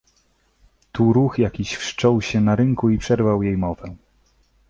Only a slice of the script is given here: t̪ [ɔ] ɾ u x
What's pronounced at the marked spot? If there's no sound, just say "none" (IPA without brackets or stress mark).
u